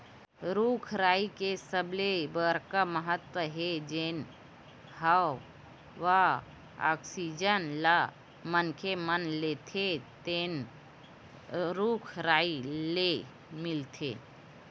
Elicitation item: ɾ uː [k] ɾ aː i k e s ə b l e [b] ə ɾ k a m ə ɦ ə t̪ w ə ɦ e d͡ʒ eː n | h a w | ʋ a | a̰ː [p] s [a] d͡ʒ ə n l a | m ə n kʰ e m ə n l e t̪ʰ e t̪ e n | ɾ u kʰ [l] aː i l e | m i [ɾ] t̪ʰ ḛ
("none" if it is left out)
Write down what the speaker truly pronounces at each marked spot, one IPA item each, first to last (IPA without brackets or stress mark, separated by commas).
kʰ, b, k, i, ɾ, l